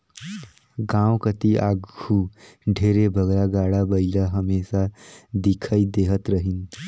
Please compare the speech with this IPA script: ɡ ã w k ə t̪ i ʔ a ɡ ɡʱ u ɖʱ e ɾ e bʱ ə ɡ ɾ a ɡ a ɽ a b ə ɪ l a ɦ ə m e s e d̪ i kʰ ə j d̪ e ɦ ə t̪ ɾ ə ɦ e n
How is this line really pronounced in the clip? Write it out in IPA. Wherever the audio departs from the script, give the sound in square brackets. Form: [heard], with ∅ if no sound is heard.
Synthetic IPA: ɡ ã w k ə t̪ i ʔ a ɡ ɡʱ u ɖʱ e ɾ e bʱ ə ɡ ɾ a ɡ a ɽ a b ə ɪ l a ɦ ə m e s [a] d̪ i kʰ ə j d̪ e ɦ ə t̪ ɾ ə ɦ [i] n